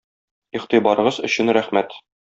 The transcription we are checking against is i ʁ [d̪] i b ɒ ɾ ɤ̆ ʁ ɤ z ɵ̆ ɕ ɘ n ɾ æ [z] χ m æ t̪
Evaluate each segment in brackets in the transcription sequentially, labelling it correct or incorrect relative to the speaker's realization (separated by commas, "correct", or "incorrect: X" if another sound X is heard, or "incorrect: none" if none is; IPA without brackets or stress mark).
incorrect: t̪, incorrect: none